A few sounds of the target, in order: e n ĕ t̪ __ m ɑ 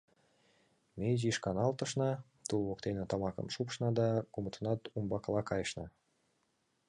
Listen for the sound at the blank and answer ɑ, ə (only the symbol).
ɑ